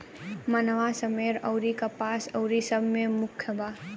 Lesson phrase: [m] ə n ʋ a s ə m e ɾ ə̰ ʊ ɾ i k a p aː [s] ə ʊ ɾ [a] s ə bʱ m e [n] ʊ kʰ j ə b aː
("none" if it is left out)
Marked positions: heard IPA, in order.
m, s, i, m

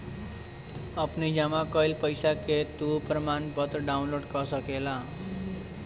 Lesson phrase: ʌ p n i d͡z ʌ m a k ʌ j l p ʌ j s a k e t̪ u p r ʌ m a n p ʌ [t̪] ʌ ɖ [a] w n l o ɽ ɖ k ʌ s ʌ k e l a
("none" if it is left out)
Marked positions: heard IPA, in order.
t̪, a

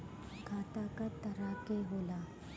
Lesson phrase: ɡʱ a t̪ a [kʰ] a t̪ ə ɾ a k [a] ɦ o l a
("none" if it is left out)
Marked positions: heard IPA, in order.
k, e

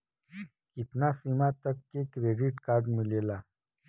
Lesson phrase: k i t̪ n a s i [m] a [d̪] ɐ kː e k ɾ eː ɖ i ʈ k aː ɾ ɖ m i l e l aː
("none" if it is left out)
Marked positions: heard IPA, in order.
m, t̪

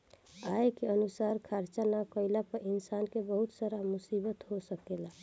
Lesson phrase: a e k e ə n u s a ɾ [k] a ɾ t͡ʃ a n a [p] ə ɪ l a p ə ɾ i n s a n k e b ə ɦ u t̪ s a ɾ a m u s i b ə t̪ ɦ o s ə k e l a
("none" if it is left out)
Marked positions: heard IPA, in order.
kʰ, k

